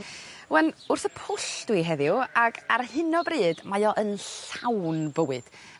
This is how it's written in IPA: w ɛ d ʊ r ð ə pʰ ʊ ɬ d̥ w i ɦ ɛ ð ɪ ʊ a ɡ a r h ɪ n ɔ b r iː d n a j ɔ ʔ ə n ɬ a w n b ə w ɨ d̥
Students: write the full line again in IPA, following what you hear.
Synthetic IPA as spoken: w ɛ n ʊ r θ ə pʰ ʊ ɬ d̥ w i ɦ ɛ ð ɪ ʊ a ɡ a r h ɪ n ɔ b r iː d m a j ɔ ʔ ə n ɬ a w n b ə w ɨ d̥